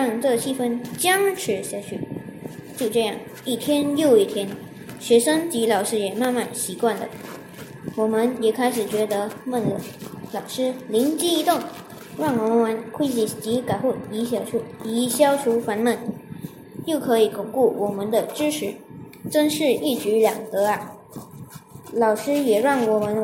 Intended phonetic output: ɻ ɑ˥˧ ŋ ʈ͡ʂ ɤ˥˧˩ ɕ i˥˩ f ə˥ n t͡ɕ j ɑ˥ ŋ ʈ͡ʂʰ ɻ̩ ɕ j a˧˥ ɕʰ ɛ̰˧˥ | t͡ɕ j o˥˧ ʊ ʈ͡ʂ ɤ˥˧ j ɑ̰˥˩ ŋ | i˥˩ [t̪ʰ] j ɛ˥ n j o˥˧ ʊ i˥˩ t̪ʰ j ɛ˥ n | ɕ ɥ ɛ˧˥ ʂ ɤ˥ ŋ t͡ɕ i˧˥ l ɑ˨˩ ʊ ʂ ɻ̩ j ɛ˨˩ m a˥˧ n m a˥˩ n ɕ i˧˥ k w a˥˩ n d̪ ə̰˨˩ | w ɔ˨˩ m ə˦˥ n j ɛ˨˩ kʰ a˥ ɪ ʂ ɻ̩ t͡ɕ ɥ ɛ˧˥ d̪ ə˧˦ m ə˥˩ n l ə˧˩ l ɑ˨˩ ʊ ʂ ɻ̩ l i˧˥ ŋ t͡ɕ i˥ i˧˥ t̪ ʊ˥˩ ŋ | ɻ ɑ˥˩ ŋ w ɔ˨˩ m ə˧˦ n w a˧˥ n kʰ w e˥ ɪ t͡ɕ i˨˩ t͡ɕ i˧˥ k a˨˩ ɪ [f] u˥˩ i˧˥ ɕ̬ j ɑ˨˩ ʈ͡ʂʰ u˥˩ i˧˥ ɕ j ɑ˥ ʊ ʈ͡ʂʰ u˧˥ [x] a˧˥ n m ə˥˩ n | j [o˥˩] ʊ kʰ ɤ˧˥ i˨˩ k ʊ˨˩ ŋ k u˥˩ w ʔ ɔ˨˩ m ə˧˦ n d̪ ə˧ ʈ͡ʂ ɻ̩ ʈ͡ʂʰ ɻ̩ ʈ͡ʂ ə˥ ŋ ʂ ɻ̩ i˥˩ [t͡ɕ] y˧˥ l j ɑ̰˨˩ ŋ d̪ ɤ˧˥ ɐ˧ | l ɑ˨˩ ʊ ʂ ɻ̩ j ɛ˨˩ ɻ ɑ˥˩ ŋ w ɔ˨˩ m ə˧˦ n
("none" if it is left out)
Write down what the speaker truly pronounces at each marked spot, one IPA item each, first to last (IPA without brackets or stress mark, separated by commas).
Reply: t̪ʰ, x, f, o˥˩, t͡ɕ